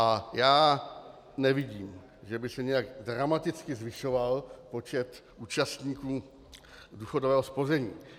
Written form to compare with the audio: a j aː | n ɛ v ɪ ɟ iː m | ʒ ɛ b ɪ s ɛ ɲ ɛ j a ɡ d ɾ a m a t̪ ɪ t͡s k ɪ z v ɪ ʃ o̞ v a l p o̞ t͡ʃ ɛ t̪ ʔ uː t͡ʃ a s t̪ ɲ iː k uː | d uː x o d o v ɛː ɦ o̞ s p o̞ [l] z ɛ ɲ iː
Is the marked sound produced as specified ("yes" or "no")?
no